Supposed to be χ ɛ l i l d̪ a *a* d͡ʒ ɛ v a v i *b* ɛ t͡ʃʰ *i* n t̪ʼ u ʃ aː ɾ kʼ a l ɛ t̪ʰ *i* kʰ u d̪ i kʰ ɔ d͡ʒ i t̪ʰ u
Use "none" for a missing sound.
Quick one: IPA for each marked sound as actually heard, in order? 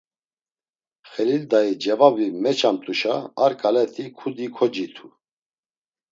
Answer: i, m, a, i

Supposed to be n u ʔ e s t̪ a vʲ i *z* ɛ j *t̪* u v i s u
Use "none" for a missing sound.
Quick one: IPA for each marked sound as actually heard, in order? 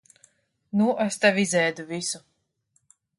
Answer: z, d̪

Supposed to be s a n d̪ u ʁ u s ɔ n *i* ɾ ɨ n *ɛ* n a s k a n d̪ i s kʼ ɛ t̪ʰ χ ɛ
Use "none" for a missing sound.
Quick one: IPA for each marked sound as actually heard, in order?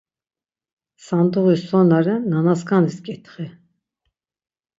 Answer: a, a

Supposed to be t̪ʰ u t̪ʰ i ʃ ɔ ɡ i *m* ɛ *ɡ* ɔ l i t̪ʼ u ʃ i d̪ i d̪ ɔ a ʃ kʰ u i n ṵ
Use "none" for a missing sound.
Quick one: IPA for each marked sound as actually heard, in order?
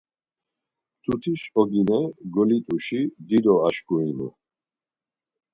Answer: n, ɡ

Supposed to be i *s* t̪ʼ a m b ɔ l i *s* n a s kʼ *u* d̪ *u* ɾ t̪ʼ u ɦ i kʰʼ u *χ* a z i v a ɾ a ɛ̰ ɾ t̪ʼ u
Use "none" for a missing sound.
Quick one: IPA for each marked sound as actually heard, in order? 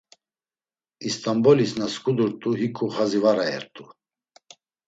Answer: s, s, u, u, χ

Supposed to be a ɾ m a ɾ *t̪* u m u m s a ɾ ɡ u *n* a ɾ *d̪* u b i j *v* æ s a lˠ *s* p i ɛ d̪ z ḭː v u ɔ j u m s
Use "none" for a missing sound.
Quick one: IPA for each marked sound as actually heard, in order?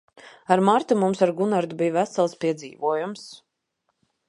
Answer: t̪, n, d̪, v, s

